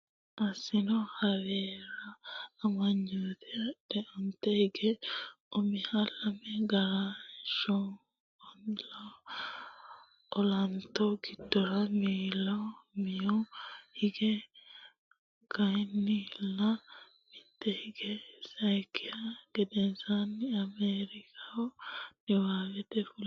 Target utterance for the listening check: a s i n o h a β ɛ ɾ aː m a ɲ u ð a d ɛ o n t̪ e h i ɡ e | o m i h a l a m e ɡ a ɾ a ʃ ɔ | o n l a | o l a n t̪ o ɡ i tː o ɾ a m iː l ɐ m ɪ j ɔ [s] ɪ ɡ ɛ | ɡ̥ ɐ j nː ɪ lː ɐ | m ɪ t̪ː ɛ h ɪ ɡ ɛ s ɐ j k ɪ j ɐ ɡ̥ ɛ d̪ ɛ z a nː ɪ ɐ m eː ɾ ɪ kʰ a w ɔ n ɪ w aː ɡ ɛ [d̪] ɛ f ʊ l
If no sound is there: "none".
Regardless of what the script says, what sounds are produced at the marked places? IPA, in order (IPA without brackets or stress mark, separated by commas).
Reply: h, t̪